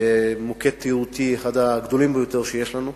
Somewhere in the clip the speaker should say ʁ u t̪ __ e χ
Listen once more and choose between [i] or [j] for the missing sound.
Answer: i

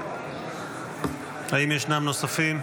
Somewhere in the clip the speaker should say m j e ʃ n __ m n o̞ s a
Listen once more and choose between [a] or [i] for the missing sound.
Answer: a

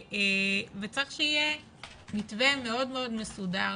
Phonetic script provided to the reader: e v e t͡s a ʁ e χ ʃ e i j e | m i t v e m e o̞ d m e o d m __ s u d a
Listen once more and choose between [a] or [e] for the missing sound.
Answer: e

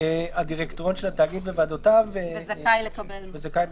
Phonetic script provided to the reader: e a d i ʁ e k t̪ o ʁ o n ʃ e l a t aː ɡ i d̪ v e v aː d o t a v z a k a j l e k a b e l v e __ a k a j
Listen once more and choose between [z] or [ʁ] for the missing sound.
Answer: z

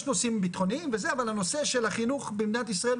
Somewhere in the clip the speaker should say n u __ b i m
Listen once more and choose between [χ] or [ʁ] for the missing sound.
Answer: χ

